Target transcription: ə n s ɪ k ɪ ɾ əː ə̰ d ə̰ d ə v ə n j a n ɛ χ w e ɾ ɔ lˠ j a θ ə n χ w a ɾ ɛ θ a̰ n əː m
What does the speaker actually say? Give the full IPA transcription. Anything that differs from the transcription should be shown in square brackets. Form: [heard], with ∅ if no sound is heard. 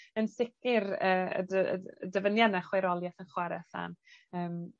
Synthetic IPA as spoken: ə n s ɪ k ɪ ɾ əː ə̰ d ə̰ d ə v ə n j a n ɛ χ w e ɾ ɔ lˠ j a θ ə n χ w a ɾ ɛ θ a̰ n əː m